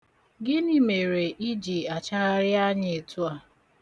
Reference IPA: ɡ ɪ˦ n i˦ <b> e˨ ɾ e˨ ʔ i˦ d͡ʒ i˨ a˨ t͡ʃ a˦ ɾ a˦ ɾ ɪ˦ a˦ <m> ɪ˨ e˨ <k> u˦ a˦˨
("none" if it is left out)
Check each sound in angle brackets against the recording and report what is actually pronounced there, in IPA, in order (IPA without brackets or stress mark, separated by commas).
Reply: m, ɲ, t